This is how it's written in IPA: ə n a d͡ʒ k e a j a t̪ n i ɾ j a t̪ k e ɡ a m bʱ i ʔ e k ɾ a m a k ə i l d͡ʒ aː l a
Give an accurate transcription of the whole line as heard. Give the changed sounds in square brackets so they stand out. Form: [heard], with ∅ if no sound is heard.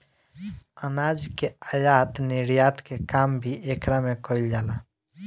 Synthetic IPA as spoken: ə n a d͡ʒ k e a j a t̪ n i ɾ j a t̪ k e [k] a m bʱ i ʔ e k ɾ a m [e] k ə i l d͡ʒ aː l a